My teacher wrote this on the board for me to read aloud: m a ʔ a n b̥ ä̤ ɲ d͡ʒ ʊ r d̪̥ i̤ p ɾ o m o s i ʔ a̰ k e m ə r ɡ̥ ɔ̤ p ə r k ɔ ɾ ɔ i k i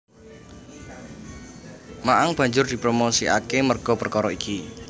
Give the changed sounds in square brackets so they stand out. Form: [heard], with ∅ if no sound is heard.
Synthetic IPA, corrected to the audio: m a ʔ a [ŋ] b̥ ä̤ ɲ d͡ʒ ʊ r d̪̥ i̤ p ɾ o m o s i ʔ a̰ k e m ə r ɡ̥ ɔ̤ p ə r k ɔ ɾ ɔ i k i